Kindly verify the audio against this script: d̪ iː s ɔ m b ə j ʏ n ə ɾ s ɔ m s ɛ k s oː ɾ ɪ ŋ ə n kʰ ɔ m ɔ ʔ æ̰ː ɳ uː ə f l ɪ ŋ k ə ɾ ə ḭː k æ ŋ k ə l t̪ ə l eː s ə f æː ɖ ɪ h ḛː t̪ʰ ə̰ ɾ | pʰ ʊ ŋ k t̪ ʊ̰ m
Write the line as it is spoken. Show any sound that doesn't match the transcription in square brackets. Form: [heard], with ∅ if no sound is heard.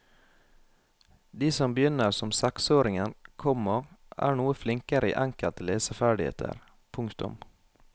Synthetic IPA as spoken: d̪ iː s ɔ m b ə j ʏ n ə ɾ s ɔ m s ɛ k s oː ɾ ɪ ŋ ə n kʰ ɔ m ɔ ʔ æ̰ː ɳ uː ə f l ɪ ŋ k ə ɾ ə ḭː [ʔ] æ ŋ k ə l t̪ ə l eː s ə f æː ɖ ɪ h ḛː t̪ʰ ə̰ ɾ | pʰ ʊ ŋ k t̪ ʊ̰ m